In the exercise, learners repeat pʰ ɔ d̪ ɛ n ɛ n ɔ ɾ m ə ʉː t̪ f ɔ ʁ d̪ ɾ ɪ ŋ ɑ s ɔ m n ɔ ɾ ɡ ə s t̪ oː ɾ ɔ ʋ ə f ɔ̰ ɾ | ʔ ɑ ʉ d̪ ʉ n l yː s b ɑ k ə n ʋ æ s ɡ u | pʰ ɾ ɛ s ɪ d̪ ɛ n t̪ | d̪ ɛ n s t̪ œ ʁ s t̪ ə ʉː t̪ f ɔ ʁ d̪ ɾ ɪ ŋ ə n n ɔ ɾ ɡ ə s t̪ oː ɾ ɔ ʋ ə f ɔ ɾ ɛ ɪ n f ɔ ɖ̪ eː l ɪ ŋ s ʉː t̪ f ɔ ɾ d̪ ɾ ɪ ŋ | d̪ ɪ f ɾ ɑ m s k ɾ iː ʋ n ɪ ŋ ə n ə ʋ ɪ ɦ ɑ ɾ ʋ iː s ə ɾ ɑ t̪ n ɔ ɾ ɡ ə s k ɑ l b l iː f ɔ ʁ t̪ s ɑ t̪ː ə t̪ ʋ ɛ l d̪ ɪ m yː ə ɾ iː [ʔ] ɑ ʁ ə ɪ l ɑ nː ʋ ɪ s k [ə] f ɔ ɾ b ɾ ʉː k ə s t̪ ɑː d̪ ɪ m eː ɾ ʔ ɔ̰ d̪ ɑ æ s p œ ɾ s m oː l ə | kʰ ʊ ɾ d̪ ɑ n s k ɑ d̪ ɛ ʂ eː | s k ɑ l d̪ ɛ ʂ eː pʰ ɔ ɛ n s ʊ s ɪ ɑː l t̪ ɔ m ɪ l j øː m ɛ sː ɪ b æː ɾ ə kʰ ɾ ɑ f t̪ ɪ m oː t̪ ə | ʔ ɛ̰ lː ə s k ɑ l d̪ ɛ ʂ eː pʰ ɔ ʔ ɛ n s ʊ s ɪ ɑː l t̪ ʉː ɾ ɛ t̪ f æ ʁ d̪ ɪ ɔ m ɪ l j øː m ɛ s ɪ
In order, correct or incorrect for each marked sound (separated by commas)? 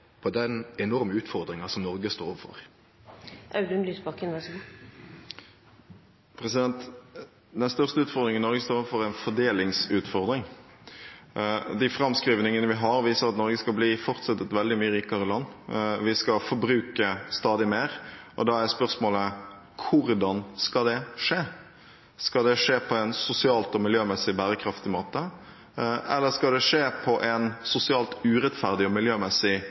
incorrect, incorrect